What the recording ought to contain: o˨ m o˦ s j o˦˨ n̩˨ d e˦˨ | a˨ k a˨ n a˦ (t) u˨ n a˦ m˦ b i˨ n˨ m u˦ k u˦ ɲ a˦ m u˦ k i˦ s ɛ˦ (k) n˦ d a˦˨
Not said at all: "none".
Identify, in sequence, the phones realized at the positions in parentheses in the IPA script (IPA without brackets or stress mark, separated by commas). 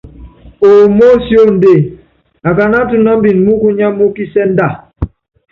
t, none